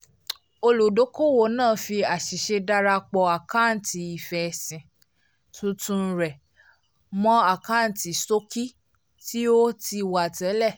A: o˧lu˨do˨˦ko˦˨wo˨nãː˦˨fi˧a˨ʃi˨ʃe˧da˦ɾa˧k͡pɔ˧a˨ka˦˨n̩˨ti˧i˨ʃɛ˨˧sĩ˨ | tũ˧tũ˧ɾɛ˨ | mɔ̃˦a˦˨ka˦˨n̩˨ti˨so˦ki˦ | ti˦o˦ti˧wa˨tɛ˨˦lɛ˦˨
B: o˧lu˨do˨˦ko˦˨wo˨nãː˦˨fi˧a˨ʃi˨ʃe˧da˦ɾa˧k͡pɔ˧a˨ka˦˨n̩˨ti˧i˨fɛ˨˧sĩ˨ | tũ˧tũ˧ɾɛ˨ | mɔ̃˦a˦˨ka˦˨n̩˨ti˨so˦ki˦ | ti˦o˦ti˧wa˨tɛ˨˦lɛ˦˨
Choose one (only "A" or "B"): B